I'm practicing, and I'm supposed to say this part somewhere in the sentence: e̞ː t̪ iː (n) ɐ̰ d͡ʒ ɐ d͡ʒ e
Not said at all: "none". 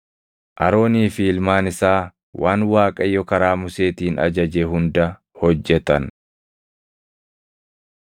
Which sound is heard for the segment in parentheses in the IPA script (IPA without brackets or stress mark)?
n